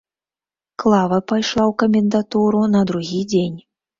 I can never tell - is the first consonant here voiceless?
yes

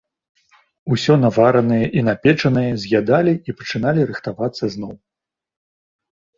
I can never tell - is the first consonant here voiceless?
yes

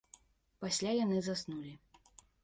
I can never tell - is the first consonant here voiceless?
yes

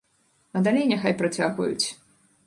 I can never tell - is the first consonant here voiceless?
no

